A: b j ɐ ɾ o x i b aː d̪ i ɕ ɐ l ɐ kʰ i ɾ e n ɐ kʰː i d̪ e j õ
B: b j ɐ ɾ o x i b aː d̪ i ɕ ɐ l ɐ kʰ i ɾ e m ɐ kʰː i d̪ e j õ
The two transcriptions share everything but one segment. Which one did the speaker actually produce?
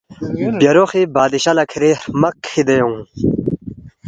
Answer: B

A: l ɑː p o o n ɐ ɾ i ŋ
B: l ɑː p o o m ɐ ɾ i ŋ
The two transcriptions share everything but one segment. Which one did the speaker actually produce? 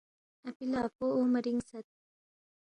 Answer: B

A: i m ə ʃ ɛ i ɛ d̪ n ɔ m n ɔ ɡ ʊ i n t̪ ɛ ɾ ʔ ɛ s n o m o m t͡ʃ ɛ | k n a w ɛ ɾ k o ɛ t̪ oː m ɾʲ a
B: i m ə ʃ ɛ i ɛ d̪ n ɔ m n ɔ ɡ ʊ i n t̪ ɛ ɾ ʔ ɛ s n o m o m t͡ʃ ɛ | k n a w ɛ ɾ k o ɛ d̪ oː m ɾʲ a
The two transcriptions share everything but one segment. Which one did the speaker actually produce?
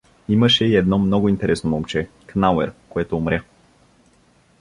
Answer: A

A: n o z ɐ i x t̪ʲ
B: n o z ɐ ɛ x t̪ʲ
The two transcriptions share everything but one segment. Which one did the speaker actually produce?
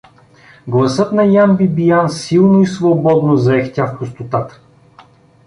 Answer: B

